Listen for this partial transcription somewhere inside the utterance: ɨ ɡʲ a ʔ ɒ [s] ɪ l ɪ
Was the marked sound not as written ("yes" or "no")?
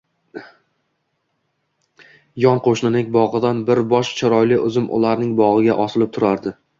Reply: no